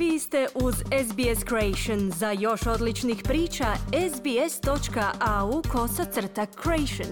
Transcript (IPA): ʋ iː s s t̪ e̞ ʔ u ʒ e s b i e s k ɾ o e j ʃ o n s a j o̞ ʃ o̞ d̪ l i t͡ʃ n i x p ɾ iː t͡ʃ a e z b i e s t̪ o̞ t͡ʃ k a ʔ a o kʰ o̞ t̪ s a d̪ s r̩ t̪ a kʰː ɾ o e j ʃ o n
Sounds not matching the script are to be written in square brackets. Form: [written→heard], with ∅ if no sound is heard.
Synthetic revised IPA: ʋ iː s s t̪ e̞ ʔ u [ʒ→z] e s b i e s k ɾ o e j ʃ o n [s→z] a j o̞ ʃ o̞ d̪ l i t͡ʃ n i x p ɾ iː t͡ʃ a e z b i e s t̪ o̞ t͡ʃ k a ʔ a [o→u] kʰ o̞ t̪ s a [d̪→t̪] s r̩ t̪ a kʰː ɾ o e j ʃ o n